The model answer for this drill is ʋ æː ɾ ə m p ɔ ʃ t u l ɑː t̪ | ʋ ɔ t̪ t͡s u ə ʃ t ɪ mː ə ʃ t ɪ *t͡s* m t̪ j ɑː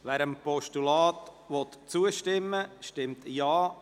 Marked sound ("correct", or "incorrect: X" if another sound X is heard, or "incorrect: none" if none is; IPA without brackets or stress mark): incorrect: none